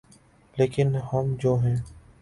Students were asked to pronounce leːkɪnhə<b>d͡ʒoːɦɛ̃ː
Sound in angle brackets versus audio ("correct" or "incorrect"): incorrect